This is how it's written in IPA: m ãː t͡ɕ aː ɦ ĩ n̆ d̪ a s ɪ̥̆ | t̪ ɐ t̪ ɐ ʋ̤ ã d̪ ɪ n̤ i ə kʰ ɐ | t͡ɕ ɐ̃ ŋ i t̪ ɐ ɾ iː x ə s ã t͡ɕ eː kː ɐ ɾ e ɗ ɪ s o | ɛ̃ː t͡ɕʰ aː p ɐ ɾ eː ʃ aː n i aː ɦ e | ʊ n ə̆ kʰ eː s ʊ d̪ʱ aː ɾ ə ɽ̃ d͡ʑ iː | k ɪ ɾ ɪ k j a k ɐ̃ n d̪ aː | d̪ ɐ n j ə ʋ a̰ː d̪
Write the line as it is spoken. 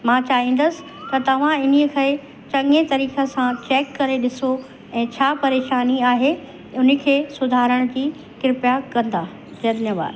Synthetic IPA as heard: m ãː t͡ɕ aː ɦ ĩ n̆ d̪ ə s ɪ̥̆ | t̪ ɐ t̪ ɐ ʋ̤ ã ɪ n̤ i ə kʰ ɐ | t͡ɕ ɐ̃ ŋ e t̪ ɐ ɾ iː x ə s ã t͡ɕ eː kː ɐ ɾ e ɗ ɪ s o | ɛ̃ː t͡ɕʰ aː p ɐ ɾ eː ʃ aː n i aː ɦ e | ʊ n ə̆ kʰ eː s ʊ d̪ʱ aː ɾ ə ɽ̃ d͡ʑ iː | k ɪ ɾ ɪ p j a k ɐ̃ n d̪ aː | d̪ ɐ n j ə ʋ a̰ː d̪